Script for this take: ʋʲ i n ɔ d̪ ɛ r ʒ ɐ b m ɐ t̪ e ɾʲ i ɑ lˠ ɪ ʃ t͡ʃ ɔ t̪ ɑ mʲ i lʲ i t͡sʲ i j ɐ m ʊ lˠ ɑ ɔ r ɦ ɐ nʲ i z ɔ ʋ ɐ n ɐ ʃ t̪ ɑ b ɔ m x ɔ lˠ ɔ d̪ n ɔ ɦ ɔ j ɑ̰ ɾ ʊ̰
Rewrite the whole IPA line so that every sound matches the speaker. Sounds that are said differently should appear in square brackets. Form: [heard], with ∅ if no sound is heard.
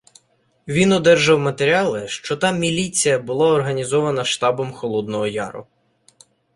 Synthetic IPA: ʋʲ i n ɔ d̪ ɛ r ʒ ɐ [w] m ɐ t̪ e ɾʲ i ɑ lˠ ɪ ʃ t͡ʃ ɔ t̪ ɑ mʲ i lʲ i t͡sʲ i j ɐ [b] ʊ lˠ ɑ ɔ r ɦ ɐ nʲ i z ɔ ʋ ɐ n ɐ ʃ t̪ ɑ b ɔ m x ɔ lˠ ɔ d̪ n ɔ ɦ ɔ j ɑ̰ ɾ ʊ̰